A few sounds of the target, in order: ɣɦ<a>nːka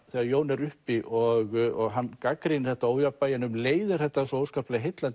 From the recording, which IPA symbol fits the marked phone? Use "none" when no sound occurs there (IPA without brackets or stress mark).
a